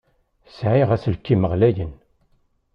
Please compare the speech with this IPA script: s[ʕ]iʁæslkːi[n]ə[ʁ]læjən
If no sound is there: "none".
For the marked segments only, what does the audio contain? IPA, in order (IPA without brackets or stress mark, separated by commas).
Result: ʕ, m, ʁ